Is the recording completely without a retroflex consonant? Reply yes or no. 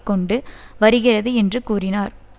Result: no